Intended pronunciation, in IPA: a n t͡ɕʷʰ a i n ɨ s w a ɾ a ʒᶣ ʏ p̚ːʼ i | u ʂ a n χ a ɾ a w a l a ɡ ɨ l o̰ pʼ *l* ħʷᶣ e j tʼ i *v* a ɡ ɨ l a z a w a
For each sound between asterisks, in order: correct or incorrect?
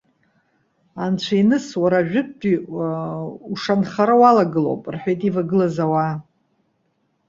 incorrect: r, correct

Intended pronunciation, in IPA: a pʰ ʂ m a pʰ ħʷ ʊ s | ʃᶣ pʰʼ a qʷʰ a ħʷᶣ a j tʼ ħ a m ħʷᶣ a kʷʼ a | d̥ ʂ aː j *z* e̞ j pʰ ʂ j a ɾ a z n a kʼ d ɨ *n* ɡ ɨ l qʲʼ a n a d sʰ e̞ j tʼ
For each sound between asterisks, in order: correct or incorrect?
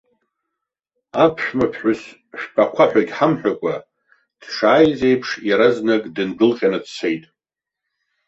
correct, correct

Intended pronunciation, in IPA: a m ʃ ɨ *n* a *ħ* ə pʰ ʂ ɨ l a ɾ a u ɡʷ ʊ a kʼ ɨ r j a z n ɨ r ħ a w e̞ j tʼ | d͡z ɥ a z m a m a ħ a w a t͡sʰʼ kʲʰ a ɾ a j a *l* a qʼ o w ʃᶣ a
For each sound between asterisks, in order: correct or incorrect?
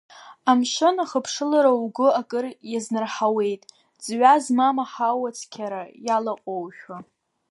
correct, incorrect: χ, correct

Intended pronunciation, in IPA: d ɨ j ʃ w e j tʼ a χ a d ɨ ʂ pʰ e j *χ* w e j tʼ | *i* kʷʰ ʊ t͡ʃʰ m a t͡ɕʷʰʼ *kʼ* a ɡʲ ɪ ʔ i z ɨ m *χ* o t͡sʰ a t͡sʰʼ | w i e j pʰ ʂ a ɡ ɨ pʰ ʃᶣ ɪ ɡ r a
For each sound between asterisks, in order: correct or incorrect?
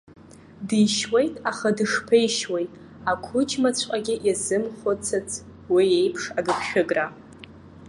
incorrect: ʃ, incorrect: a, incorrect: qʼ, correct

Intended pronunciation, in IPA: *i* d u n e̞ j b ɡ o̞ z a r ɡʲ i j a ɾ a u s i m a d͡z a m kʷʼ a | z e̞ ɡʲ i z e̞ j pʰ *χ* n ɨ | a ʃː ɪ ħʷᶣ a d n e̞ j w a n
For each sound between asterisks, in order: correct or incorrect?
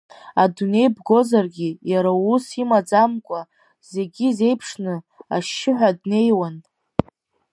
incorrect: a, incorrect: ʂ

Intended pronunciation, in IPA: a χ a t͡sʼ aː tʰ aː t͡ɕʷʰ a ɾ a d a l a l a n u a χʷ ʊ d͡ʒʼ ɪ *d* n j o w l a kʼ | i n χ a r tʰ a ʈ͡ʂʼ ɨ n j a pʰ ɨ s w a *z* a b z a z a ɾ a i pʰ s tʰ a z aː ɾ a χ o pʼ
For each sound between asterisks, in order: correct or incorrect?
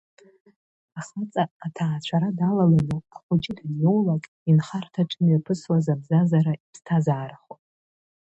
correct, correct

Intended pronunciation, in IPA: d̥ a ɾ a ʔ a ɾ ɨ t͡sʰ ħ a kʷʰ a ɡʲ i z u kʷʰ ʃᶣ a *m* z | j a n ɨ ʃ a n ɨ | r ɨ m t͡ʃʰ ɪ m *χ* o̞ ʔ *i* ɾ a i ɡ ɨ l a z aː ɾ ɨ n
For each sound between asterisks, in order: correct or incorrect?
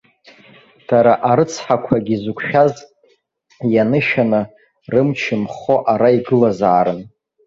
incorrect: none, correct, incorrect: a

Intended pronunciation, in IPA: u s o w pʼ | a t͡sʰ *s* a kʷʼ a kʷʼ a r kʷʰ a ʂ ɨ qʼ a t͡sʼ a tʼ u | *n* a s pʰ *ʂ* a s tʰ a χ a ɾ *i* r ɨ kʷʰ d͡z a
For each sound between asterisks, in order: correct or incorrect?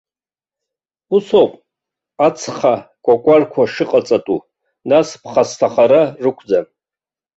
incorrect: χ, correct, incorrect: χ, incorrect: a

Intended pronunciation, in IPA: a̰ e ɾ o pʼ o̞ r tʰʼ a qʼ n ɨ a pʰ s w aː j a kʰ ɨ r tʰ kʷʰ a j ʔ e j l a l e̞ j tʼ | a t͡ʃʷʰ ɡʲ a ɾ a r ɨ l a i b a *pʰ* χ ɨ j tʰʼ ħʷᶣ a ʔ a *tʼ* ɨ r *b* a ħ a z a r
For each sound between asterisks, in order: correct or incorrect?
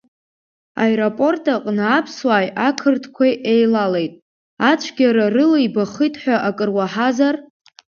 incorrect: none, incorrect: kʼ, incorrect: w

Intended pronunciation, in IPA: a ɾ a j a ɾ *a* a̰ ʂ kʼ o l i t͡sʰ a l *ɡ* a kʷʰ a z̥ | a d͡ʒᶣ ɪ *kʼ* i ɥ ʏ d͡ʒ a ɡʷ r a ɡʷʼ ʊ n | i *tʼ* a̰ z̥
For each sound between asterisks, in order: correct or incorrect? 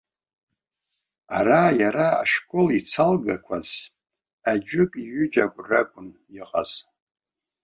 correct, correct, correct, incorrect: qʼ

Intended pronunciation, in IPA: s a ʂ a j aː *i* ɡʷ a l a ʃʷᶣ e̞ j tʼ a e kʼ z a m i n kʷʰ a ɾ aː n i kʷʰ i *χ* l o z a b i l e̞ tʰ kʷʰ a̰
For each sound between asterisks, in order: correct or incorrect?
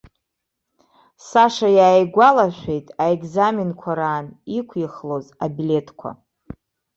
incorrect: j, correct

